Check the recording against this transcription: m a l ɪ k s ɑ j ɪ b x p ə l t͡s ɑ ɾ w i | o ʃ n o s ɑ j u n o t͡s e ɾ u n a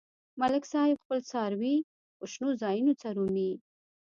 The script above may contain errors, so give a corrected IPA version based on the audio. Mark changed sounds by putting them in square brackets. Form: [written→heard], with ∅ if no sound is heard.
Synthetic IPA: m a l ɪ k s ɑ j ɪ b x p ə l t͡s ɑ ɾ w i | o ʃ n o [s→z] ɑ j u n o t͡s [e→a] ɾ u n [a→i]